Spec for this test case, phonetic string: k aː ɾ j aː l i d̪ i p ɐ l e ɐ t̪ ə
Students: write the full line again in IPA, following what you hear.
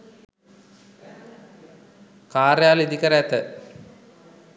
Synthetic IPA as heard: k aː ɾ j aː l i d̪ i k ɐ ɾ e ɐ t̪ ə